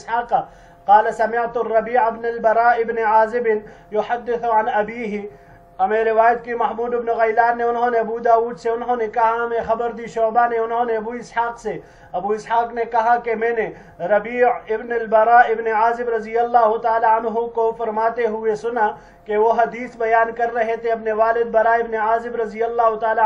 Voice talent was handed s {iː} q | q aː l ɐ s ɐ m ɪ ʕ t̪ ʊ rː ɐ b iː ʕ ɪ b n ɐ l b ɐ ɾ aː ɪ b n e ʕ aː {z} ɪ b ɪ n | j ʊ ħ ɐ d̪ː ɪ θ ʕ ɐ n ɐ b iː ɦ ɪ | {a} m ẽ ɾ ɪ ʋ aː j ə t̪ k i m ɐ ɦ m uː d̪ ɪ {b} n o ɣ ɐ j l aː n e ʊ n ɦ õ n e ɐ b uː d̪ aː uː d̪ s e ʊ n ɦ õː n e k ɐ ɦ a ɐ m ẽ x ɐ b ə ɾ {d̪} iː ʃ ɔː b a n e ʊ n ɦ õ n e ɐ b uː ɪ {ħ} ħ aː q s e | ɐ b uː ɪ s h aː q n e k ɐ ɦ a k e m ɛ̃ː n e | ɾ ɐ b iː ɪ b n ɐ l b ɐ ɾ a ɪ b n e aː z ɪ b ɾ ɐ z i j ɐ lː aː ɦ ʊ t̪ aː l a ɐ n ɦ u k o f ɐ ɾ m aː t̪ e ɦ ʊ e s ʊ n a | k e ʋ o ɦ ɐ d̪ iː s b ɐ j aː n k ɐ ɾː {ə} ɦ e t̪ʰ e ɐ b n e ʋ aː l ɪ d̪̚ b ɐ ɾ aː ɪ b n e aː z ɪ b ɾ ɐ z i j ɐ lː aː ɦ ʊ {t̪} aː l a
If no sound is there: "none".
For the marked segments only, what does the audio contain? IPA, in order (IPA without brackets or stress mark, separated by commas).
aː, z, ɐ, b, d̪, s, ɐ, t̪